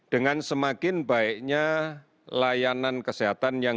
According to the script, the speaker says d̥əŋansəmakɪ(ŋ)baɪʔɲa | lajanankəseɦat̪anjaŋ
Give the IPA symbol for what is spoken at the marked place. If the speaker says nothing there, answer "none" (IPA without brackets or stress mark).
n